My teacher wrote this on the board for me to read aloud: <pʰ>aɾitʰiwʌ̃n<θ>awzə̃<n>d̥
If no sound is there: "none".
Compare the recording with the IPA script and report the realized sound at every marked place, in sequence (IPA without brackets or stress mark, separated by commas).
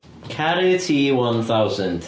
kʰ, θ, n